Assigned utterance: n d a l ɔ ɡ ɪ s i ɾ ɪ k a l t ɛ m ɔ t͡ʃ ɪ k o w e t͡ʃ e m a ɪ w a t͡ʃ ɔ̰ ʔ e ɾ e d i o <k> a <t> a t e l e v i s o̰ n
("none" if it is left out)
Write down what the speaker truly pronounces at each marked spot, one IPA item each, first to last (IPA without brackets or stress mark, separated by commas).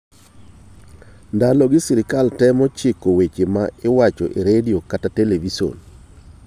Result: k, t